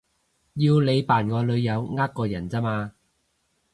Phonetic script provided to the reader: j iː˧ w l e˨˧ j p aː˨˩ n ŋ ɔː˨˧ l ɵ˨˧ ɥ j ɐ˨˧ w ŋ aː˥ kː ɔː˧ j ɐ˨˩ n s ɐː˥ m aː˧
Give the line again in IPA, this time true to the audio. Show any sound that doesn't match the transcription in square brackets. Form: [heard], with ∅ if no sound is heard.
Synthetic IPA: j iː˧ w l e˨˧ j p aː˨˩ n ŋ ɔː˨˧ l ɵ˨˧ ɥ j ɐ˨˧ w ŋ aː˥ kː ɔː˧ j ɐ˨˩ n [t͡s] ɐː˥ m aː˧